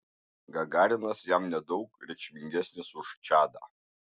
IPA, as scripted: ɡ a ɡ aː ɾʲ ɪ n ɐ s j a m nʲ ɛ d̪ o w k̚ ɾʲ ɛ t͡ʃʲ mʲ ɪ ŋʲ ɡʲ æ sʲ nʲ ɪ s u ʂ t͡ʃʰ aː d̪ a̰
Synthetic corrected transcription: ɡ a ɡ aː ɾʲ ɪ n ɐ s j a m nʲ ɛ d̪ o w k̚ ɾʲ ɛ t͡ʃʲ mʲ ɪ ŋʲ ɡʲ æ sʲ nʲ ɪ s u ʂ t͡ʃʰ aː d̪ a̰